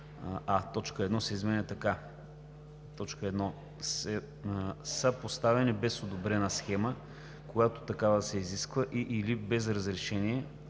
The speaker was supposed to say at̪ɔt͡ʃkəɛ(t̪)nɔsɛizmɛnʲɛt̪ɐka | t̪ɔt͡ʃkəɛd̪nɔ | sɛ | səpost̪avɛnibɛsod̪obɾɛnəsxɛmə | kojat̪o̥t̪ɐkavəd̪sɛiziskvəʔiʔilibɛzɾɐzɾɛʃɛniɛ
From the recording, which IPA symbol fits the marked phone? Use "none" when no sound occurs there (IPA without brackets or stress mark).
d̪